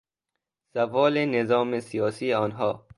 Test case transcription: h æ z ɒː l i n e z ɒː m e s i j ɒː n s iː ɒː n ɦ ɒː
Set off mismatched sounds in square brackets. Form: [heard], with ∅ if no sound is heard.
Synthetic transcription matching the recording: [s] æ [v] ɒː l [e] n e z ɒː m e s i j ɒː [∅] s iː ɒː n ɦ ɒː